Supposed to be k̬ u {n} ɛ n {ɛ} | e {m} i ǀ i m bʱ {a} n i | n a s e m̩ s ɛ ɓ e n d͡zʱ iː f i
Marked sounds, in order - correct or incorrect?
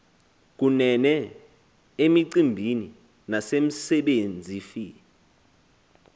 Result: correct, correct, correct, incorrect

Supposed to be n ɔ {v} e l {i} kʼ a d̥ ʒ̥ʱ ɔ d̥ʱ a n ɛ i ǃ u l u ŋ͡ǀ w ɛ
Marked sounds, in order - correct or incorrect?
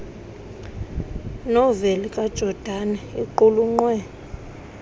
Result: correct, correct

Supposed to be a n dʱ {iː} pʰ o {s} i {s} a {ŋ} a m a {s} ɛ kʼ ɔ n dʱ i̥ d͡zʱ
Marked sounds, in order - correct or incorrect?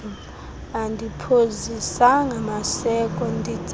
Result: incorrect, incorrect, correct, correct, correct

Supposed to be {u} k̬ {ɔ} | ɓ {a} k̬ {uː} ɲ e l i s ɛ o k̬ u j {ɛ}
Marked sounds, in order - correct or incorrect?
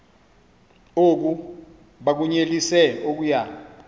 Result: incorrect, incorrect, correct, incorrect, incorrect

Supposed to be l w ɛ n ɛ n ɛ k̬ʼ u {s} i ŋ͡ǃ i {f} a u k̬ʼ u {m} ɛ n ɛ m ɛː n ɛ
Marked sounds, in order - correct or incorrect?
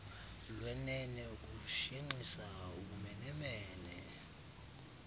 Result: incorrect, incorrect, correct

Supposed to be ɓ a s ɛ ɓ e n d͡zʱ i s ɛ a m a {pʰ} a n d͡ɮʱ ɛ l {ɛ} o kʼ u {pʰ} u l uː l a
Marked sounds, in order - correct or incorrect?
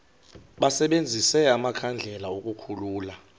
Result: incorrect, incorrect, incorrect

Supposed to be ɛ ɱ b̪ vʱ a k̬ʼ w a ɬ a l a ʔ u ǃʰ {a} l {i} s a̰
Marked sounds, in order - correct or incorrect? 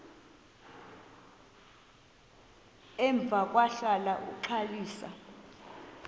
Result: correct, incorrect

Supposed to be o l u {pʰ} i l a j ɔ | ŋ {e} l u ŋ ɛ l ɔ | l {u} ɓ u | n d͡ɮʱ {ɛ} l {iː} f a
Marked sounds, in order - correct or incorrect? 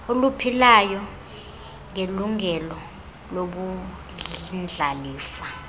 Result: correct, correct, incorrect, incorrect, correct

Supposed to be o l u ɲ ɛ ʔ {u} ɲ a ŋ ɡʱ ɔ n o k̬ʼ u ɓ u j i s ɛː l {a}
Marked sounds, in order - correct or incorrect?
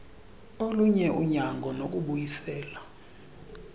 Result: correct, correct

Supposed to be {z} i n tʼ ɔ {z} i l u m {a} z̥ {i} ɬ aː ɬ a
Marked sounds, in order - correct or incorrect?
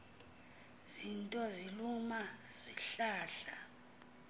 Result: correct, correct, correct, correct

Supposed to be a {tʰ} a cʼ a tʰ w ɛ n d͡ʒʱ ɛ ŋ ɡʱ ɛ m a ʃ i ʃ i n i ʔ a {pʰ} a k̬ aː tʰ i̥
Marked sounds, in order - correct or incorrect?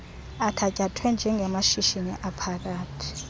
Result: correct, correct

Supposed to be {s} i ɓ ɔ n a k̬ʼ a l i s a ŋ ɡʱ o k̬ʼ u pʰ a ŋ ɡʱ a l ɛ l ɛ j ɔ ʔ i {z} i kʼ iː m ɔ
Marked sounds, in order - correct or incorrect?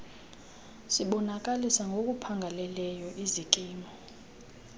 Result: correct, correct

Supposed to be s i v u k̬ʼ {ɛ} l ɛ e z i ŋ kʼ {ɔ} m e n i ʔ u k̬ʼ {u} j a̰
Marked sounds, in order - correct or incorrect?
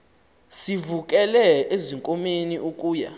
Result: correct, incorrect, incorrect

